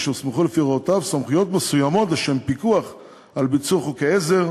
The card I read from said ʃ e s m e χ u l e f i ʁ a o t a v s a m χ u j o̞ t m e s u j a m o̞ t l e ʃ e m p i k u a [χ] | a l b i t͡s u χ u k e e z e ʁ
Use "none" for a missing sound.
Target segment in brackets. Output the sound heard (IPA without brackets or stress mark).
χ